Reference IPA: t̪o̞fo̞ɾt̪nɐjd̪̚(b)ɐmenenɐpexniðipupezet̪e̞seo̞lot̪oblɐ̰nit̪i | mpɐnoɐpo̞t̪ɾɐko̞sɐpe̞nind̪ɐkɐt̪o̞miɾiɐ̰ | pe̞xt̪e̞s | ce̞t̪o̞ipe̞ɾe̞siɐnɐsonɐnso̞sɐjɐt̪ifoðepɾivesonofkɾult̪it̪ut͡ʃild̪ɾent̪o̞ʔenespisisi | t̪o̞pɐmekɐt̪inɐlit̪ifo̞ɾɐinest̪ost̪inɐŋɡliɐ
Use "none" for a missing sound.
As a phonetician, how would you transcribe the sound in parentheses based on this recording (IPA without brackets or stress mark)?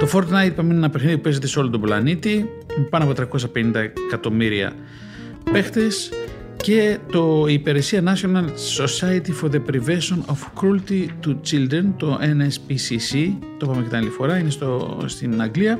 p